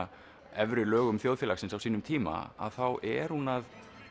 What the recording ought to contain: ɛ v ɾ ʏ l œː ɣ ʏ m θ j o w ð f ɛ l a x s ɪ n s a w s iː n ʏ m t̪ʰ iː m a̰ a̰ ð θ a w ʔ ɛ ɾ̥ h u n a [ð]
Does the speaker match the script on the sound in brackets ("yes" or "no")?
yes